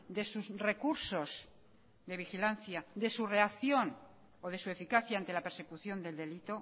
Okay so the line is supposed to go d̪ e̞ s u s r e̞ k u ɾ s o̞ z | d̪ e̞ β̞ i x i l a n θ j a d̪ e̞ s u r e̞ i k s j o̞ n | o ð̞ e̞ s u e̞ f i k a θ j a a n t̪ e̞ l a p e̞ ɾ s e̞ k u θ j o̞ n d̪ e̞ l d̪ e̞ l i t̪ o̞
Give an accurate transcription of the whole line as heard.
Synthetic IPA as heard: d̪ e̞ s u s r e̞ k u ɾ s o̞ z | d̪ e̞ β̞ i x i l a n θ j a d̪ e̞ s u r e̞ a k θ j o̞ n | o ð̞ e̞ s u e̞ f i k a θ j a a n t̪ e̞ l a p e̞ ɾ s e̞ k u θ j o̞ n d̪ e̞ l d̪ e̞ l i t̪ o̞